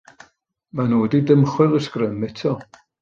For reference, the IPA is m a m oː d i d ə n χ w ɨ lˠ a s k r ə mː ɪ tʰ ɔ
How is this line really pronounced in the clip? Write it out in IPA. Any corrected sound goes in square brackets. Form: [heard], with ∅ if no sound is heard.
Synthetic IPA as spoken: m a [n] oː d i d ə [m] χ w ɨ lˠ [ə] s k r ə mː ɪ tʰ ɔ